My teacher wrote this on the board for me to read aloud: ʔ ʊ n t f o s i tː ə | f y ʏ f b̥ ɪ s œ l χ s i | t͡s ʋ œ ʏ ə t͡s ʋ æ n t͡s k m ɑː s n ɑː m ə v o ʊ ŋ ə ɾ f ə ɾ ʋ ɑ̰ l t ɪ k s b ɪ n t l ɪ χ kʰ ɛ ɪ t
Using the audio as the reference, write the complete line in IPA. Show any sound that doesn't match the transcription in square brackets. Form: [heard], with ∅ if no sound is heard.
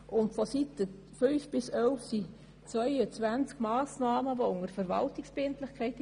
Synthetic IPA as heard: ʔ ʊ n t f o s i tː ə | f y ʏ f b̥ ɪ s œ l [f] s i | t͡s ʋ œ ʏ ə t͡s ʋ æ n t͡s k m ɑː s n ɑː m ə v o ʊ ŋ ə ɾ f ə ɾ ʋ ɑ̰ l t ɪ k s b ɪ n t l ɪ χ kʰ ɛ ɪ t